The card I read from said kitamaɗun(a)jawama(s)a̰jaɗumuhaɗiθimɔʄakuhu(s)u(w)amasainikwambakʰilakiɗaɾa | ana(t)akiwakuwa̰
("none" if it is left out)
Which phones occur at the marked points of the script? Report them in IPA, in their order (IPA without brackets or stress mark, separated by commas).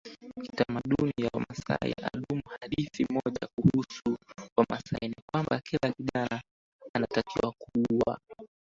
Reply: i, s, s, w, t